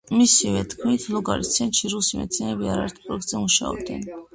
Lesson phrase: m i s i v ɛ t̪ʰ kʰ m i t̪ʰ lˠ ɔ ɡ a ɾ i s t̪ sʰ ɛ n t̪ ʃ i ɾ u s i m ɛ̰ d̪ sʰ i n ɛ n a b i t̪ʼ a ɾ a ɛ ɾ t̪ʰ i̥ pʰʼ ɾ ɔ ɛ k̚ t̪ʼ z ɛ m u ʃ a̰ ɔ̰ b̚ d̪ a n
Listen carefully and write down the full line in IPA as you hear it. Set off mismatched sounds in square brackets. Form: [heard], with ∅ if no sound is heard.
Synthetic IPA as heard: m i s i v ɛ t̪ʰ kʰ m i t̪ʰ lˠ ɔ ɡ a ɾ i s t̪ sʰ ɛ n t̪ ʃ i ɾ u s i m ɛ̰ [t̪] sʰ i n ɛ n [ɛ] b i [∅] a ɾ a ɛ ɾ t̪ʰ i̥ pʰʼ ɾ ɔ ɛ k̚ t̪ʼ z ɛ m u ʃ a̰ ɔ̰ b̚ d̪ [ɛ] n